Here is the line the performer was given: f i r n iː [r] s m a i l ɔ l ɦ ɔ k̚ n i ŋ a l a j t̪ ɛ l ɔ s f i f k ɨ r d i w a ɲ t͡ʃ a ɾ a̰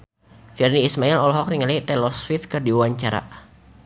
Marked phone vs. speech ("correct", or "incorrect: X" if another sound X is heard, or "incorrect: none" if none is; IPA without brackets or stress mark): incorrect: none